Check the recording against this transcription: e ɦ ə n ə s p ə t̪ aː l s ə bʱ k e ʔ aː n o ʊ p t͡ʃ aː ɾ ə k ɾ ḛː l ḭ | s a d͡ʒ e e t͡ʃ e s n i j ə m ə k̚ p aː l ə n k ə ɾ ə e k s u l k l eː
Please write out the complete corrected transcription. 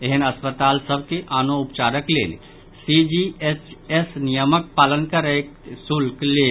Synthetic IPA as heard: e ɦ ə n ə s p ə t̪ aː l s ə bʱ k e ʔ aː n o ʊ p t͡ʃ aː ɾ ə k l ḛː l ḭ | s i d͡ʒ i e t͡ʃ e s n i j ə m ə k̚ p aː l ə n k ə ɾ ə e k s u l k l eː